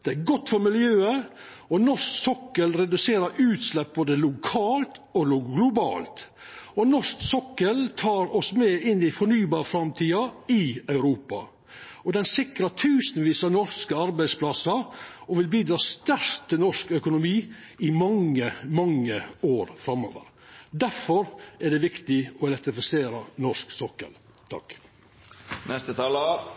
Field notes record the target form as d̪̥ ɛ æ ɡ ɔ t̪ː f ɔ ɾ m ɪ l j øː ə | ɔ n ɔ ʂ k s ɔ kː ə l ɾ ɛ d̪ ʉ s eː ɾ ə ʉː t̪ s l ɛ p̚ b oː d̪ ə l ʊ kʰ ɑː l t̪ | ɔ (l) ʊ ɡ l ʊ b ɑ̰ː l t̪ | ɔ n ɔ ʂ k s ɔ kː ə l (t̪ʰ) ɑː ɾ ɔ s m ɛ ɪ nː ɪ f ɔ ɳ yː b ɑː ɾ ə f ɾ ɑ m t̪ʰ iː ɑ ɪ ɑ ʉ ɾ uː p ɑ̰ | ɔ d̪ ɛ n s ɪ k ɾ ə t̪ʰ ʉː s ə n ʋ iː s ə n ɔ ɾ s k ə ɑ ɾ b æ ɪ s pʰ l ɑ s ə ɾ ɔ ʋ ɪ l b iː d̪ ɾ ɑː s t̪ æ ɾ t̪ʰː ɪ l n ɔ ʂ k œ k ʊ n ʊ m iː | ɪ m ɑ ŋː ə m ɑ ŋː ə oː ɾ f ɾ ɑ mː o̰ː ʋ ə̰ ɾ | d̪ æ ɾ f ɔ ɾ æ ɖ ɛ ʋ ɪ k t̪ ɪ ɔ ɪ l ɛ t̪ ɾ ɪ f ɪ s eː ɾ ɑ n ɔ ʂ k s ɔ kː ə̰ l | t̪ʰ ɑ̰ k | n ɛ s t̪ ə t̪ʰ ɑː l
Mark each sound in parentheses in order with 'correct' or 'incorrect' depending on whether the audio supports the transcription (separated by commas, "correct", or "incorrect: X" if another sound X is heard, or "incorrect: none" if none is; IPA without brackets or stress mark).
correct, correct